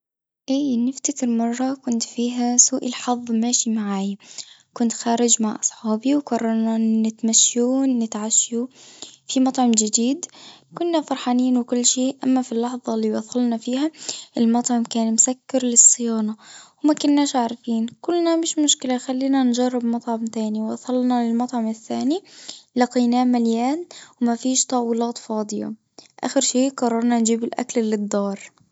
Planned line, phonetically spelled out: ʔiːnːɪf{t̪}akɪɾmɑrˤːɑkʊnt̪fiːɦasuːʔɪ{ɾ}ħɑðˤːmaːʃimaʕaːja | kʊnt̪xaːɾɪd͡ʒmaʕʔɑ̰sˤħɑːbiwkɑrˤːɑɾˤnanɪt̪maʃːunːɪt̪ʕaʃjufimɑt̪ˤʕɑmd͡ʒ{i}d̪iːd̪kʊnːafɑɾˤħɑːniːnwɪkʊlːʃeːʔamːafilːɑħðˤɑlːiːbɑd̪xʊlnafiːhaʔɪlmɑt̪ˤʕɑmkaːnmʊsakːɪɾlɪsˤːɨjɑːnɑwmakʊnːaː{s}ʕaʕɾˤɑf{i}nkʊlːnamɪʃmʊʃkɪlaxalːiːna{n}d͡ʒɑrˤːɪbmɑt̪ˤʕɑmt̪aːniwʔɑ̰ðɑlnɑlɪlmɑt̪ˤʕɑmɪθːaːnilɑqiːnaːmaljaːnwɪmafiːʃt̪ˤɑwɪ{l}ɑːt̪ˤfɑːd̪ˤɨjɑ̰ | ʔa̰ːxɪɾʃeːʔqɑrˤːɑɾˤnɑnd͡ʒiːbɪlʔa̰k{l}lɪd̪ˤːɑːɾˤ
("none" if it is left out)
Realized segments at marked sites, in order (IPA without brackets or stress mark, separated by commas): t̪, l, ɪ, ʃ, iː, n, l, l